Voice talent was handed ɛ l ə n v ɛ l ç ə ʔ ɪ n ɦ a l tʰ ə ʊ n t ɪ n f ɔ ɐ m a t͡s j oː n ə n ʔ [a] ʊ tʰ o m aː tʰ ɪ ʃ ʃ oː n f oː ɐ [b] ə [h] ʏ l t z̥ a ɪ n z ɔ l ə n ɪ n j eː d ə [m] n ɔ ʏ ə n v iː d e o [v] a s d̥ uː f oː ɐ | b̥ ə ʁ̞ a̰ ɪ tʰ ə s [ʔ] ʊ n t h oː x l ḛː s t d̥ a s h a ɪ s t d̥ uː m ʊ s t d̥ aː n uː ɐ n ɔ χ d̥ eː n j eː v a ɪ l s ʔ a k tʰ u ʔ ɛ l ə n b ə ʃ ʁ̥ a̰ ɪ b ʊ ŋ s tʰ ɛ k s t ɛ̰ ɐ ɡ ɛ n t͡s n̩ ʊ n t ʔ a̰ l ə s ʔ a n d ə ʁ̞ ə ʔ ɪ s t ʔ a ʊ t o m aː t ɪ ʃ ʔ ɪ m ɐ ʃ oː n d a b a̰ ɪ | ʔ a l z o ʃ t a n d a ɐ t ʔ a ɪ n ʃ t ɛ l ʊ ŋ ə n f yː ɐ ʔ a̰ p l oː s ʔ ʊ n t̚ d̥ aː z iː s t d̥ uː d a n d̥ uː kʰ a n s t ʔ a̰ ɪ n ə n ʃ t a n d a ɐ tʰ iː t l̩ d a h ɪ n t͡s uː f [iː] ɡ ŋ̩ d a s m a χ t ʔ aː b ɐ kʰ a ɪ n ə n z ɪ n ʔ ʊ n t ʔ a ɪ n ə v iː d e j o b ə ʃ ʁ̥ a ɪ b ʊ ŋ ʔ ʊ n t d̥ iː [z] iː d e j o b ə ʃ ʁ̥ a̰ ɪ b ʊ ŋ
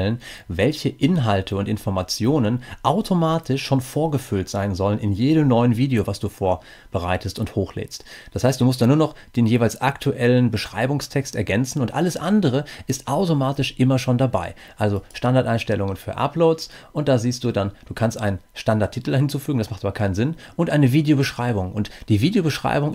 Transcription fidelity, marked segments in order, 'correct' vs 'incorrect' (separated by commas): correct, incorrect, incorrect, correct, correct, incorrect, incorrect, incorrect